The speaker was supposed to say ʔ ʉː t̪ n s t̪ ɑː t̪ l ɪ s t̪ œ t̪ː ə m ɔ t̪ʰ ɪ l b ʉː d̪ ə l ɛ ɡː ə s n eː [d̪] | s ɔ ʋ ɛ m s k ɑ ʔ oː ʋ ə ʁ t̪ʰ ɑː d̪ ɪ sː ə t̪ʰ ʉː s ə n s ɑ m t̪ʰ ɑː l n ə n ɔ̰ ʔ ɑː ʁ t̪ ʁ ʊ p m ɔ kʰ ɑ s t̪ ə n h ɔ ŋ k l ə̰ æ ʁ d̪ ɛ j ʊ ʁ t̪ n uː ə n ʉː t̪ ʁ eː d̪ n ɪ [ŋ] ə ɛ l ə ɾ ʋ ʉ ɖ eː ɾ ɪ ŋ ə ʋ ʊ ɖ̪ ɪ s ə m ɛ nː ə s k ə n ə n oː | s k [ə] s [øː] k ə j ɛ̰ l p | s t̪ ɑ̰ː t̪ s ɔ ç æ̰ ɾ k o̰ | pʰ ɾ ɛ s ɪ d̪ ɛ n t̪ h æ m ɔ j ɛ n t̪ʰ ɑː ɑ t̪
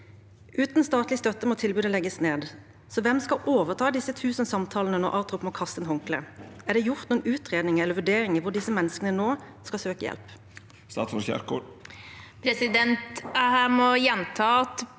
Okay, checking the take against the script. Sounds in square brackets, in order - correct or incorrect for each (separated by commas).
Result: correct, correct, incorrect, correct